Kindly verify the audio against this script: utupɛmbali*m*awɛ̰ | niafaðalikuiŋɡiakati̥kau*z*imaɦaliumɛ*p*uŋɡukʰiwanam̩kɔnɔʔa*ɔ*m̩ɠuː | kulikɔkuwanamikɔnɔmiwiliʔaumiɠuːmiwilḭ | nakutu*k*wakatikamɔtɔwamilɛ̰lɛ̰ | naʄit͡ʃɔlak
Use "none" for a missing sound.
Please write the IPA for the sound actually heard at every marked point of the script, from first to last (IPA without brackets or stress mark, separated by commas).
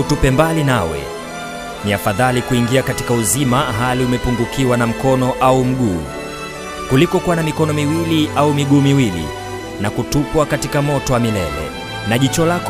n, z, p, u, p